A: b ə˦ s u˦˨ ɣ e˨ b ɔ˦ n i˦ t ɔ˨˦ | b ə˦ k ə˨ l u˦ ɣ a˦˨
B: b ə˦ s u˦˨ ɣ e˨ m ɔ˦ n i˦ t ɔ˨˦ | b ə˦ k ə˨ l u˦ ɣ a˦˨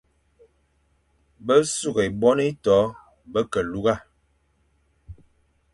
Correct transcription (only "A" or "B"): A